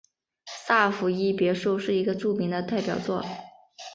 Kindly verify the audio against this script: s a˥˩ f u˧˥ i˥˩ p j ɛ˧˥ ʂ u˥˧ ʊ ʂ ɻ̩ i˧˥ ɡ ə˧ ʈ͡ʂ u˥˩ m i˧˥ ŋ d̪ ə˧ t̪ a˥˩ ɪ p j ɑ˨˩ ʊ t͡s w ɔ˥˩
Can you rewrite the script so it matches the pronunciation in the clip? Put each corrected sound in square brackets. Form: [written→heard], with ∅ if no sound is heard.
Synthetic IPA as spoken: s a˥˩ f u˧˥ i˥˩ p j ɛ˧˥ ʂ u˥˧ ʊ ʂ ɻ̩ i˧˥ ɡ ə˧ ʈ͡ʂ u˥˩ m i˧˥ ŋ d̪ ə˧ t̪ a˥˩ ɪ p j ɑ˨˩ ʊ t͡s w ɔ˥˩